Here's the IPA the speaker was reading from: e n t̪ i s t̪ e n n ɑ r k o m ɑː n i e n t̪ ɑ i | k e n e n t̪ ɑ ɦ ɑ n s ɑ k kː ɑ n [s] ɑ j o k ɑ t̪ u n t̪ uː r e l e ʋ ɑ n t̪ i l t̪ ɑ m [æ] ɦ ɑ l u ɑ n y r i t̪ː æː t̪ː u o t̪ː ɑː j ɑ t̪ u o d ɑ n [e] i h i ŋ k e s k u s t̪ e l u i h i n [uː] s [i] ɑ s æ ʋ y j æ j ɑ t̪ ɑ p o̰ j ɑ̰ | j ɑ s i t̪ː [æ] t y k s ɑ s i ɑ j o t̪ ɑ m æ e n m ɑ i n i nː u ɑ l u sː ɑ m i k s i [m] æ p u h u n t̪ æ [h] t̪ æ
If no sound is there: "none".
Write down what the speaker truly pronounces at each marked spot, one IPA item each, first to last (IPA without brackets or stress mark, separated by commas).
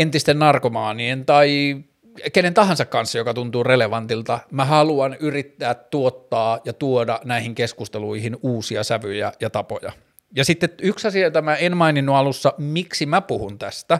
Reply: sː, æ, æ, uː, i, e, m, s